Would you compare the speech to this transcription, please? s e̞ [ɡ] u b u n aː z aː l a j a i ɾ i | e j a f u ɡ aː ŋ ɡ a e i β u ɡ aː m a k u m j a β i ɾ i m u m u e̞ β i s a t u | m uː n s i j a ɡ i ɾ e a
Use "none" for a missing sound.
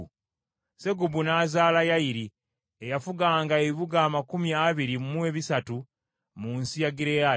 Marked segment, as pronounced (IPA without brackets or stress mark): ɡ